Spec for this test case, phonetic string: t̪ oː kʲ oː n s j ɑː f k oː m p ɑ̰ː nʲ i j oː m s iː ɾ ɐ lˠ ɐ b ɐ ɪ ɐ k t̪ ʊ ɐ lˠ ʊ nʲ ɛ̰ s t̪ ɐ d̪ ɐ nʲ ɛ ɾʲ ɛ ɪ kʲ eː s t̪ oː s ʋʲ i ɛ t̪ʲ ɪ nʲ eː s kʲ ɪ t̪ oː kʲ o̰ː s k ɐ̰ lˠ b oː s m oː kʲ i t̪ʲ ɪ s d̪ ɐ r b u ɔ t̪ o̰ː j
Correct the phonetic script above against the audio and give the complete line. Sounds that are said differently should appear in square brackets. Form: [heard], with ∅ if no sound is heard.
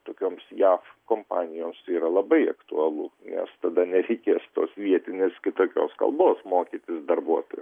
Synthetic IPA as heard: t̪ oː kʲ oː [m] s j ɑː f k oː m p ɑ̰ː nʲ [ɪ] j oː m s iː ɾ ɐ lˠ ɐ b ɐ ɪ ɐ k t̪ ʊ ɐ lˠ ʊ nʲ ɛ̰ s t̪ ɐ d̪ ɐ nʲ ɛ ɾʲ ɛ ɪ kʲ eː s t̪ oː s ʋʲ i ɛ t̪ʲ ɪ nʲ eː s kʲ ɪ t̪ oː kʲ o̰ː s k ɐ̰ lˠ b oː s m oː kʲ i t̪ʲ ɪ s d̪ ɐ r b u ɔ t̪ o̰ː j